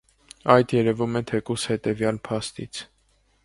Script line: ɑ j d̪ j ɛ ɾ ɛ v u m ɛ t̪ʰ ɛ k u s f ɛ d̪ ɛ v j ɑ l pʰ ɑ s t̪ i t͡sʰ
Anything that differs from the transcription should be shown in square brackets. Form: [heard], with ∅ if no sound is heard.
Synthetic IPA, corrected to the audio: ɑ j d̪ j ɛ ɾ ɛ v u m ɛ t̪ʰ ɛ k u s [h] ɛ [t̪] ɛ v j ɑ l pʰ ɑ s t̪ i t͡sʰ